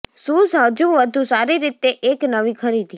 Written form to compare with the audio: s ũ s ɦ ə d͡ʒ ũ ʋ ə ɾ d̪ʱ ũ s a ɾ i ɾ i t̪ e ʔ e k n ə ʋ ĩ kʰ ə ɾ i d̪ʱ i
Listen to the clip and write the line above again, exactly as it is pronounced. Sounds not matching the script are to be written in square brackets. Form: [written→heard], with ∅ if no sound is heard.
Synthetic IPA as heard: s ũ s ɦ ə d͡ʒ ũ ʋ ə [ɾ→∅] d̪ʱ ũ s a ɾ i ɾ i t̪ e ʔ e k n ə ʋ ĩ kʰ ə ɾ i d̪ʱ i